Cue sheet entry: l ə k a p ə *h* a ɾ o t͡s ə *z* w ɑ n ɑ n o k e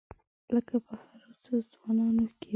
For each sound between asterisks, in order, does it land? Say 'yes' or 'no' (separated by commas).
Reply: yes, yes